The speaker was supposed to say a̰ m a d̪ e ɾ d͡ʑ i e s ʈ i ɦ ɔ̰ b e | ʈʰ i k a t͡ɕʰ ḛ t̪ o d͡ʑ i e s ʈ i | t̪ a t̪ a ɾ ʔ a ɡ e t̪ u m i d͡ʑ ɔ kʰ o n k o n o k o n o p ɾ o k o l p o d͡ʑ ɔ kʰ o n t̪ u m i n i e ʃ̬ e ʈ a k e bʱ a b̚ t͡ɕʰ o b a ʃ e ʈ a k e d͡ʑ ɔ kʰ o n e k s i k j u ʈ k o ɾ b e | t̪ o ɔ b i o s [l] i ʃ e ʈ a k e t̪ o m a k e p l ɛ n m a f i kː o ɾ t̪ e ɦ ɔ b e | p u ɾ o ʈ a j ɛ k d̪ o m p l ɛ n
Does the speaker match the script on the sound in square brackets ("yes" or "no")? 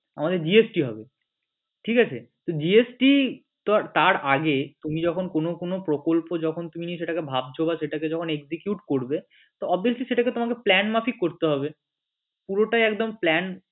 yes